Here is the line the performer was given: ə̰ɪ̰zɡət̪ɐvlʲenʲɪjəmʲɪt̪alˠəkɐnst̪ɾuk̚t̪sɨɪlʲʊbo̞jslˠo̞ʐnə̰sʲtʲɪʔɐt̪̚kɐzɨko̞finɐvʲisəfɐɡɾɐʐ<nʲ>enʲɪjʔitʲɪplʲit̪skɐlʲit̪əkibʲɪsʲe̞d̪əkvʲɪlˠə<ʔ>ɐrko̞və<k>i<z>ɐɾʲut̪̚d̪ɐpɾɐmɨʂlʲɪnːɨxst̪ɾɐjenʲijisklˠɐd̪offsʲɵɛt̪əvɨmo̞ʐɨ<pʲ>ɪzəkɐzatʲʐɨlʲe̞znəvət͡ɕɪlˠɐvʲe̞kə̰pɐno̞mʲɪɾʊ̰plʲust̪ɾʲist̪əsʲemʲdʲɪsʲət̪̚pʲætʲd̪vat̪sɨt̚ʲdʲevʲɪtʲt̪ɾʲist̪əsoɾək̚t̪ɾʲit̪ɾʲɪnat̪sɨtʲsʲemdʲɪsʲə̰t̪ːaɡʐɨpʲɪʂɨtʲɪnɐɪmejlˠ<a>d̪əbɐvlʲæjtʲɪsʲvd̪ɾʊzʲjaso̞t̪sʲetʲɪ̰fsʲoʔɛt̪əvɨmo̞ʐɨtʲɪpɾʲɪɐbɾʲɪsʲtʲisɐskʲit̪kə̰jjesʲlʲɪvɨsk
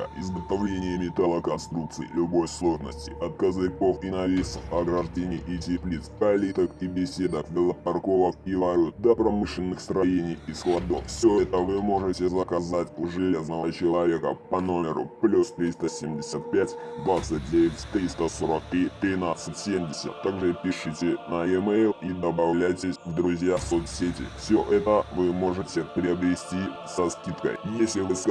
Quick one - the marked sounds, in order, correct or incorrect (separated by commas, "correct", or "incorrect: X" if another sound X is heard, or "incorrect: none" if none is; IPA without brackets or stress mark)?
incorrect: dʲ, incorrect: p, correct, incorrect: v, incorrect: tʲ, incorrect: i